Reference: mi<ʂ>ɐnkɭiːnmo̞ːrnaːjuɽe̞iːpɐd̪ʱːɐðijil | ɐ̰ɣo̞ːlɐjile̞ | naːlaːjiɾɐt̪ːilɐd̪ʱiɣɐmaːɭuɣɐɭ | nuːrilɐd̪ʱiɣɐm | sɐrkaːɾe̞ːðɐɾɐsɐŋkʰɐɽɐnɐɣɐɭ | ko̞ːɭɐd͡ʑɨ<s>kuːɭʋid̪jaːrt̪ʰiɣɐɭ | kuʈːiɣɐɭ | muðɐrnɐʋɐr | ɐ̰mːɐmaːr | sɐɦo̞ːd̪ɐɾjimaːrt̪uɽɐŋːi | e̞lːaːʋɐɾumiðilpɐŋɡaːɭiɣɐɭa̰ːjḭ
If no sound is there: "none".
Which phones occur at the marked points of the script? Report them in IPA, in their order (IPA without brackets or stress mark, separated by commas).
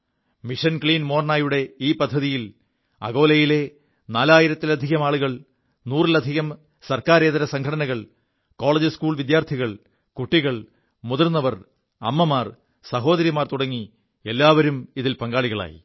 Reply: ʂ, s